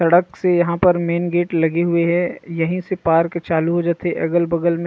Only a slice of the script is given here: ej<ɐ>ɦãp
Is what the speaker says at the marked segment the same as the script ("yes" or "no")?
yes